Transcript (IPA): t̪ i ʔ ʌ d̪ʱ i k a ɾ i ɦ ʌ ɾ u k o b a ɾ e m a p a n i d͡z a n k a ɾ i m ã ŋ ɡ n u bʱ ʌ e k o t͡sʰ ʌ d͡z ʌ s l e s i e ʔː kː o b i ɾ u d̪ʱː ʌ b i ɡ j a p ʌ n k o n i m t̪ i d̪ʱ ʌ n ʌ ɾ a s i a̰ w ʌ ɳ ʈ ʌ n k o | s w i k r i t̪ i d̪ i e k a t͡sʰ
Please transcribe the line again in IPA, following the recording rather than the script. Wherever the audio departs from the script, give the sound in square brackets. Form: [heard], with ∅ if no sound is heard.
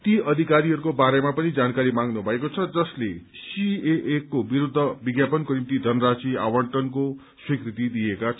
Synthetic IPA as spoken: t̪ i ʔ ʌ d̪ʱ i k a ɾ i ɦ ʌ ɾ u k o b a ɾ e m a p [ʌ] n i d͡z a n k a ɾ i m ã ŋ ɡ n u bʱ ʌ e k o t͡sʰ ʌ d͡z ʌ s l e s i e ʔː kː o b i ɾ u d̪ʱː ʌ b i ɡ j a p ʌ n k o n i m t̪ i d̪ʱ ʌ n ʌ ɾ a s i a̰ w ʌ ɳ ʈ ʌ n k o | s w i k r i t̪ i d̪ i e k a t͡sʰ